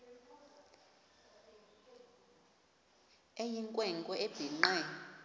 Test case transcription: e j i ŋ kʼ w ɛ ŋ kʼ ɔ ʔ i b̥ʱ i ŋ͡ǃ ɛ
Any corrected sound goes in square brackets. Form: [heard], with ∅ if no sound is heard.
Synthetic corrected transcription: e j i ŋ kʼ w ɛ ŋ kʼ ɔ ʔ [e] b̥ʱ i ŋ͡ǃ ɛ